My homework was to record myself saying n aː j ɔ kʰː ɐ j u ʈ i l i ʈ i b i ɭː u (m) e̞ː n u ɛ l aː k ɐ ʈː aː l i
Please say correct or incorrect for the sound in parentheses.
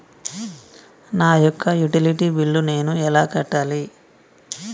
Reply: incorrect